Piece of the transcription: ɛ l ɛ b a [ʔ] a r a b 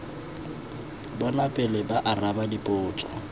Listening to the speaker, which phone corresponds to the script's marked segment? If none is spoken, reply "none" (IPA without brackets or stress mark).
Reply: ʔ